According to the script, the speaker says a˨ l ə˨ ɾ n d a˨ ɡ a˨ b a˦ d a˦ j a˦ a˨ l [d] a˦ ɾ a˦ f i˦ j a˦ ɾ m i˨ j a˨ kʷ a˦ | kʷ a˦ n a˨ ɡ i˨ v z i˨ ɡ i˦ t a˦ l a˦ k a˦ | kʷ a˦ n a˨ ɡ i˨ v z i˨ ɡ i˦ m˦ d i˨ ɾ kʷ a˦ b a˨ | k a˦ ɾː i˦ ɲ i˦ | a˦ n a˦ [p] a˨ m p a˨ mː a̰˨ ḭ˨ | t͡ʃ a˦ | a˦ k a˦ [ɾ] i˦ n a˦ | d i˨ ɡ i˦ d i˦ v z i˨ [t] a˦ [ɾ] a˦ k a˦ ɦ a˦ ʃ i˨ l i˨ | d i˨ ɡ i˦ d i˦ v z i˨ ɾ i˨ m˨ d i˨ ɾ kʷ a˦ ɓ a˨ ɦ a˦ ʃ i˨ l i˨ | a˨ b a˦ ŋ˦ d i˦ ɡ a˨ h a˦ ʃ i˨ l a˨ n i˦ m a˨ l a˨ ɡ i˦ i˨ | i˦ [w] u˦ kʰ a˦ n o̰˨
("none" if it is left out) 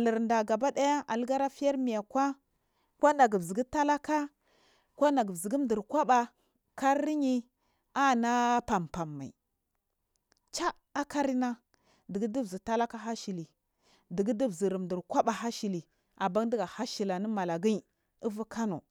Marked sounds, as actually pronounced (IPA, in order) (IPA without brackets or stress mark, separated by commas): ɡ, p, ɾ, t, l, v